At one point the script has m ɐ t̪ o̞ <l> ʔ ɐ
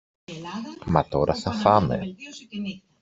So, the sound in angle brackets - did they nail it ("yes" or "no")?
no